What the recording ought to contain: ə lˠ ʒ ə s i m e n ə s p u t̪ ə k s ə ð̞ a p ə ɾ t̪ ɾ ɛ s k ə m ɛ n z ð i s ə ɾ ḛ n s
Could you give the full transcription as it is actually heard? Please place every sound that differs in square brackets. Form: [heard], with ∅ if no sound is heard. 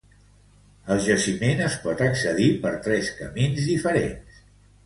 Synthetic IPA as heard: ə lˠ ʒ ə s i m e n ə s p [ɔ] t̪ ə k s ə ð̞ [i] p ə ɾ t̪ ɾ ɛ s k ə m [i] n z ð i [f] ə ɾ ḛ n s